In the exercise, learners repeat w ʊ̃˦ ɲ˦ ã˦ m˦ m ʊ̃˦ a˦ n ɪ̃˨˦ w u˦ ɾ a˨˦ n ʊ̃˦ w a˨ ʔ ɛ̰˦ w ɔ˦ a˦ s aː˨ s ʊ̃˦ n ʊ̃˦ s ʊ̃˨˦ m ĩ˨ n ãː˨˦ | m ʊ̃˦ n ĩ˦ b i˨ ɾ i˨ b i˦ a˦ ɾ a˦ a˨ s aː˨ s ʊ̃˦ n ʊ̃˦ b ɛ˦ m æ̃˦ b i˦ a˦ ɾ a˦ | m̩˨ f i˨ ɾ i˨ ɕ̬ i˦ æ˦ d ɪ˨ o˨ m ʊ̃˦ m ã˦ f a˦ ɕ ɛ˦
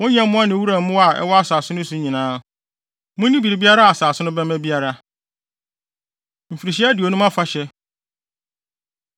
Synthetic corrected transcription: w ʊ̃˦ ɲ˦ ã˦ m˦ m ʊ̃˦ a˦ n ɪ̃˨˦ w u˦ ɾ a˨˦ m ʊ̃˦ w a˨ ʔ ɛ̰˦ w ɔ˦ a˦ s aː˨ s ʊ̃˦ n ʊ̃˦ s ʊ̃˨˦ ɲ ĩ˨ n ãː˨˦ | m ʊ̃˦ n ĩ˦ b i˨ ɾ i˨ b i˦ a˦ ɾ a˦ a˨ s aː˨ s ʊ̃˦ n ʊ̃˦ b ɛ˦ m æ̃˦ b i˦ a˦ ɾ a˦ | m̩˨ f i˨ ɾ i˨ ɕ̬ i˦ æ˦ d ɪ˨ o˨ n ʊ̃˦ m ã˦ f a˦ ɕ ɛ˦